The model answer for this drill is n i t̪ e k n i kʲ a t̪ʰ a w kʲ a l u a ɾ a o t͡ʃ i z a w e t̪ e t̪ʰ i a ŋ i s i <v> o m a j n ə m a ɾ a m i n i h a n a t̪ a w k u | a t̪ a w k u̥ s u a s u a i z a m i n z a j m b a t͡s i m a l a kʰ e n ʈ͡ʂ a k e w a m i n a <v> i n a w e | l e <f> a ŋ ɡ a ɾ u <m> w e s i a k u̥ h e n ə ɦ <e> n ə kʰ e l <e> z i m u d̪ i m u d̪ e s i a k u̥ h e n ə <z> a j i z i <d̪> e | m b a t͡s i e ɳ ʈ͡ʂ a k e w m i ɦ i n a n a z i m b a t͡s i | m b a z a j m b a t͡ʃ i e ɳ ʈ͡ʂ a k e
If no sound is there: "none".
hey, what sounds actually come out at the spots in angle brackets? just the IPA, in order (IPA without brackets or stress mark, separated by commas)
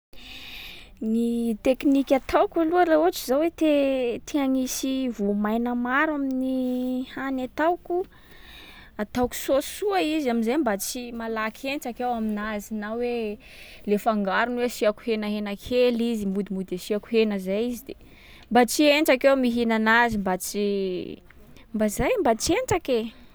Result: v, z, f, n, e, i, z, d̪